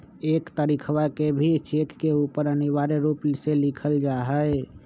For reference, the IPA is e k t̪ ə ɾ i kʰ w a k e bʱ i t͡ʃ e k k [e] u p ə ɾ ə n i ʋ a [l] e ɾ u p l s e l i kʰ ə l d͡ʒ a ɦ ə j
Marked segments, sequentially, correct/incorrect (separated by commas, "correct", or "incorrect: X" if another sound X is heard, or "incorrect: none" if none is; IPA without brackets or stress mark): correct, incorrect: ɾ